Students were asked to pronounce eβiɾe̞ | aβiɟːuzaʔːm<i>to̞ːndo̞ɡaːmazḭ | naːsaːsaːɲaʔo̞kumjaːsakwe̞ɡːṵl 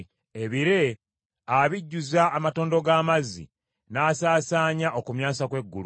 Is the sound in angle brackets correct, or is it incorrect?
incorrect